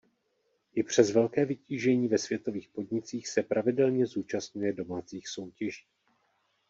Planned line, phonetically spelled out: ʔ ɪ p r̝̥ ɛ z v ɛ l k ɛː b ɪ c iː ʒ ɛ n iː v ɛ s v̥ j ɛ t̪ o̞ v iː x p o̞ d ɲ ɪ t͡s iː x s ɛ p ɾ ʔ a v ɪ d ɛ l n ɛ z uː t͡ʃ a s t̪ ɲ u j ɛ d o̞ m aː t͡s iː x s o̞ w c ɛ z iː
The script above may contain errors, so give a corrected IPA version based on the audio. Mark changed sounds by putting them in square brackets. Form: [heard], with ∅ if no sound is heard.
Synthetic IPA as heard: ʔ ɪ p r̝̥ ɛ z v ɛ l k ɛː [v] ɪ c iː ʒ ɛ [ɲ] iː v ɛ s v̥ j ɛ t̪ o̞ v iː x p o̞ d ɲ ɪ t͡s iː x s ɛ p ɾ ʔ a v ɪ d ɛ l [ɲ] ɛ z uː t͡ʃ a s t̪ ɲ u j ɛ d o̞ m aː t͡s iː x s o̞ w c ɛ [ʒ] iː